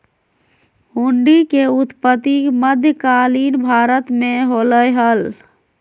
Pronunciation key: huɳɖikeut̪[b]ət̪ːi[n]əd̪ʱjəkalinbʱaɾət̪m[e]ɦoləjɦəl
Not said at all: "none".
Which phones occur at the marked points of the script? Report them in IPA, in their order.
p, m, e

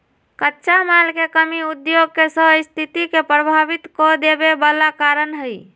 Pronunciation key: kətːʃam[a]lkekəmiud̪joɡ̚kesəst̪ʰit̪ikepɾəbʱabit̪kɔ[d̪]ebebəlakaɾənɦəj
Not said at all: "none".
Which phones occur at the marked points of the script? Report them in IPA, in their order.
a, d̪

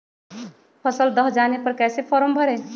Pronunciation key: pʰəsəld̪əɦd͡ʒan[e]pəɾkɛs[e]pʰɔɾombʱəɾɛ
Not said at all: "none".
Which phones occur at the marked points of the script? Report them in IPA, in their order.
e, e

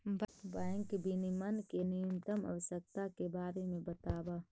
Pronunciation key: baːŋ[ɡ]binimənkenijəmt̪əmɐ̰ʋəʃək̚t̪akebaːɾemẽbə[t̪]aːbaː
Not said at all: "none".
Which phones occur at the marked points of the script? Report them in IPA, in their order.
k, t̪

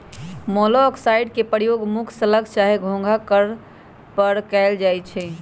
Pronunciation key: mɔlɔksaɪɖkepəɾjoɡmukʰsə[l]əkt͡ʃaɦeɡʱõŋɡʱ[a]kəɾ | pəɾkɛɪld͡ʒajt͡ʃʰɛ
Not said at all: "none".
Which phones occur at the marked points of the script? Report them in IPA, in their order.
l, a

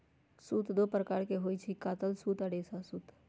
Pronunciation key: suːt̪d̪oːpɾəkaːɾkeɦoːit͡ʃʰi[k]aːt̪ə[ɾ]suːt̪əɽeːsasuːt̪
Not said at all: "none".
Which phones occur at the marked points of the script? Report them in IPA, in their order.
k, l

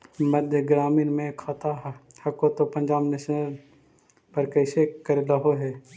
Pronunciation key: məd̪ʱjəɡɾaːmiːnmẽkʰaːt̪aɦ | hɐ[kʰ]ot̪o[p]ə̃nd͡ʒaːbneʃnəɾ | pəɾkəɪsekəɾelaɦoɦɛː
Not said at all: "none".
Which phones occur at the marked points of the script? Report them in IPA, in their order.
k, p

